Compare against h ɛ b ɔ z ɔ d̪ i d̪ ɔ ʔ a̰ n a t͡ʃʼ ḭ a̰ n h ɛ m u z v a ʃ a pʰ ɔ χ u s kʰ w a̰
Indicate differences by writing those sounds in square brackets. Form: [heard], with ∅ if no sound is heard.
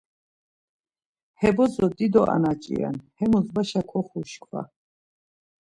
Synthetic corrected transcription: h ɛ b ɔ z ɔ d̪ i d̪ ɔ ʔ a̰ n a t͡ʃʼ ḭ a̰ n h ɛ m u z [b] a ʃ a [kʰ] ɔ χ u [ʃ] kʰ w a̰

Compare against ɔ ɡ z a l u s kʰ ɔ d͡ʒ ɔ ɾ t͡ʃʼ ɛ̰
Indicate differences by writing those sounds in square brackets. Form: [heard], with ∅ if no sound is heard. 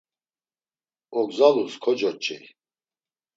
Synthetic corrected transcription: ɔ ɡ z a l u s kʰ ɔ d͡ʒ ɔ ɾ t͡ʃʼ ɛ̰

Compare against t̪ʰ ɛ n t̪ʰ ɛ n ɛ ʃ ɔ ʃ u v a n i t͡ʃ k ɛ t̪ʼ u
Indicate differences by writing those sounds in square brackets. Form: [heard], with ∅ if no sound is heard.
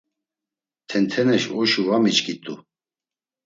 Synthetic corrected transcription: t̪ʰ ɛ n t̪ʰ ɛ n ɛ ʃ ɔ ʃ u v a [m] i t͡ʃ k [i] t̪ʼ u

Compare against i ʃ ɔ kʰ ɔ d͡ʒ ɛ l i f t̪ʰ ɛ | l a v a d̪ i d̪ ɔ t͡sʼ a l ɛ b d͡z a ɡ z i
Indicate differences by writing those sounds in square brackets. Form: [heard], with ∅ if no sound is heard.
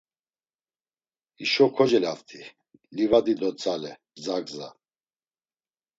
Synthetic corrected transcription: i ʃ ɔ kʰ ɔ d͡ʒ ɛ l [a] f t̪ʰ [i] | l [i] v a d̪ i d̪ ɔ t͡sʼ a l ɛ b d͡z a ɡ z [a]

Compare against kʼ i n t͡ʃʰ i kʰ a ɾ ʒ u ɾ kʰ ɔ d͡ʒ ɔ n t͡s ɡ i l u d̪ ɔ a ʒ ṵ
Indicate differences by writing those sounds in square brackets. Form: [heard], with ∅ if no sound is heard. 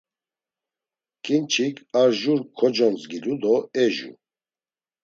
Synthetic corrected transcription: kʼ i n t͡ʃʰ i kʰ a ɾ ʒ u ɾ kʰ ɔ d͡ʒ ɔ n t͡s ɡ i l u d̪ ɔ [ɛ] ʒ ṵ

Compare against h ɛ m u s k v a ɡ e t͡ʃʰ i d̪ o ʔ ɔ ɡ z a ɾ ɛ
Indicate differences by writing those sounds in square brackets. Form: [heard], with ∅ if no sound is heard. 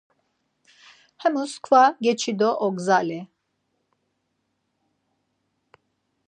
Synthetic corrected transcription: h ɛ m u s k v a ɡ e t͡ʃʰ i d̪ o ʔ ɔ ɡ z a [l] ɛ

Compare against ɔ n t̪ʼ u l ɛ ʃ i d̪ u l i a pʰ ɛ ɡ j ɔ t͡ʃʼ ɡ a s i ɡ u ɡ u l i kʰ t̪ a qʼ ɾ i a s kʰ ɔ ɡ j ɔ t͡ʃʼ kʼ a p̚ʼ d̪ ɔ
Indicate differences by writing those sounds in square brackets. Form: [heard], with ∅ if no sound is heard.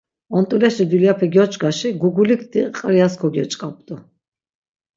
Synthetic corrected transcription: ɔ n t̪ʼ u l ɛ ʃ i d̪ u l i a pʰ ɛ ɡ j ɔ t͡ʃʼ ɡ a [ʃ] i ɡ u ɡ u l i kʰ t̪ [i] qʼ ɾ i a s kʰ ɔ ɡ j ɔ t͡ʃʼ kʼ a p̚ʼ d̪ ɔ

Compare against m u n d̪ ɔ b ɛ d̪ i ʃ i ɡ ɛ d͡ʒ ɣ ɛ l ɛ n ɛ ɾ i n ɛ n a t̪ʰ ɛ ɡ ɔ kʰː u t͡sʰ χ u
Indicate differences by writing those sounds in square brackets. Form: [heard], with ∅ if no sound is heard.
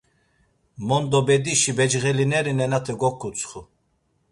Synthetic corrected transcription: m [ɔ] n d̪ ɔ b ɛ d̪ i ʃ i [b] ɛ d͡ʒ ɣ ɛ l [i] n ɛ ɾ i n ɛ n a t̪ʰ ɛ ɡ ɔ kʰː u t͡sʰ χ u

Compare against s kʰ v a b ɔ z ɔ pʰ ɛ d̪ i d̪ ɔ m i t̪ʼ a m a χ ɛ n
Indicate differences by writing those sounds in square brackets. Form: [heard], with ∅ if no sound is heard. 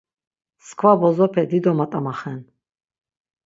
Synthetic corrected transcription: s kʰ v a b ɔ z ɔ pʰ ɛ d̪ i d̪ ɔ m [a] t̪ʼ a m a χ ɛ n

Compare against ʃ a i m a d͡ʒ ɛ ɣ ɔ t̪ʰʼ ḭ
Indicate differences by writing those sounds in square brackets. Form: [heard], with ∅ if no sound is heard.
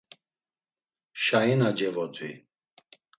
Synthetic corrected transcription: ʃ a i [n] a d͡ʒ ɛ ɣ ɔ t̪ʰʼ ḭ

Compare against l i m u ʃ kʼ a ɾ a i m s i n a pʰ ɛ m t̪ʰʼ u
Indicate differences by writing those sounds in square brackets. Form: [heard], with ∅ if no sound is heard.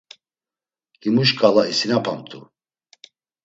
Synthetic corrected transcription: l i m u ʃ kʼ a [l] a i [∅] s i n a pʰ [a] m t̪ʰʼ u

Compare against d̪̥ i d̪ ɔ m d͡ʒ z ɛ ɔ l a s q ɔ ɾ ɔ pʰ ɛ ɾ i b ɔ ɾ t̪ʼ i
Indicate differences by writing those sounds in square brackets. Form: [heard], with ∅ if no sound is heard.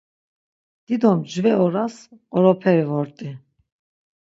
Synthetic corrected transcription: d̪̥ i d̪ ɔ m d͡ʒ [v] ɛ ɔ [ɾ] a s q ɔ ɾ ɔ pʰ ɛ ɾ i [v] ɔ ɾ t̪ʼ i

